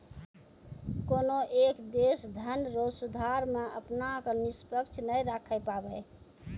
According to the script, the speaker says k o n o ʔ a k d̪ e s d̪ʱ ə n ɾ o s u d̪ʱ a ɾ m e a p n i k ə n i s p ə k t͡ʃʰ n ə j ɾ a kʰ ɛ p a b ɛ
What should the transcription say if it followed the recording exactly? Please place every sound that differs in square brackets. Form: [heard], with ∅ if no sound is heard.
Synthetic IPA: k o n o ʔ [e] k d̪ e s d̪ʱ ə n ɾ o s u d̪ʱ a ɾ m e [ə] p n [a] k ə n i s p ə k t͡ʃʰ n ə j ɾ a kʰ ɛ p a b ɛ